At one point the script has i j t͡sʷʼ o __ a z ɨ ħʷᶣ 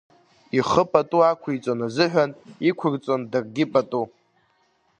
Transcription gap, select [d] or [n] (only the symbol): n